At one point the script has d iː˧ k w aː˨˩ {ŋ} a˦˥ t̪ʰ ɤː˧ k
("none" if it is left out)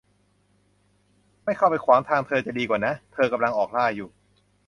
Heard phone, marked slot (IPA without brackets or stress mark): n